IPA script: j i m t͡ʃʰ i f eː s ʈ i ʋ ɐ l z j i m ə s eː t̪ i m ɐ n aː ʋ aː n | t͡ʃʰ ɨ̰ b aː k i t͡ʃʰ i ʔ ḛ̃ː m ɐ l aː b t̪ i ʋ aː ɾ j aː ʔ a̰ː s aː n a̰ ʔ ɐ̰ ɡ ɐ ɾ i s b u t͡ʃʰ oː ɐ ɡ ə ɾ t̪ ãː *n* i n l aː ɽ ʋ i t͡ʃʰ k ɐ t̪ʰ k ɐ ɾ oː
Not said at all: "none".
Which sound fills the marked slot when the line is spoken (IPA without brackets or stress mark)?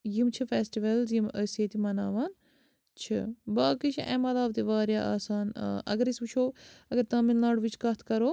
m